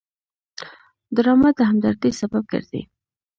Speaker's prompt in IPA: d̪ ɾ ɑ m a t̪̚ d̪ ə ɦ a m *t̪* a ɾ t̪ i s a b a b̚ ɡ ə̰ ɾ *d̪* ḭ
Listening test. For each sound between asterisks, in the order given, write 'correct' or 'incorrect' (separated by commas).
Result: incorrect, correct